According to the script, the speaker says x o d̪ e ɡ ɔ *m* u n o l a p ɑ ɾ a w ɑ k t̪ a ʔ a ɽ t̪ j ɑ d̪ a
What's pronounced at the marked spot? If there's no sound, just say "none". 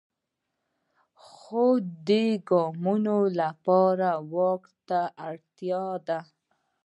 m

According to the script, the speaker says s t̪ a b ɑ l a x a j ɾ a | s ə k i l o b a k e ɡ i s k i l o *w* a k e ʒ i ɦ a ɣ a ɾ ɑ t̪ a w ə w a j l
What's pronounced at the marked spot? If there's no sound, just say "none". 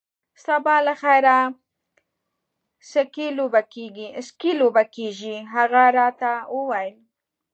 b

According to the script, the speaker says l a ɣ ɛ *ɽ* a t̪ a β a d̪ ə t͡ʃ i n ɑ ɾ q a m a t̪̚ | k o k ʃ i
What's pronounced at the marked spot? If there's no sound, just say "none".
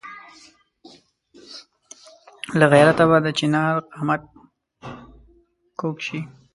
ɾ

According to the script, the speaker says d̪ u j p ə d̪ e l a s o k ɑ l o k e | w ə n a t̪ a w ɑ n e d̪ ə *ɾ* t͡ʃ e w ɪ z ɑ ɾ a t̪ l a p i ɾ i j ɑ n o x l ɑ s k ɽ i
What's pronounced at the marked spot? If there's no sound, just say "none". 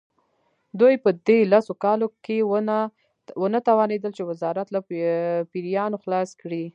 l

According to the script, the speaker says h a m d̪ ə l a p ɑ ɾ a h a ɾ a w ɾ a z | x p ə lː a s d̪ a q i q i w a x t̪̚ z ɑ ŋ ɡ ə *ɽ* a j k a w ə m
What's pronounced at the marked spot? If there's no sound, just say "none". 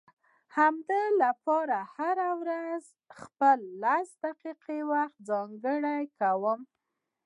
ɽ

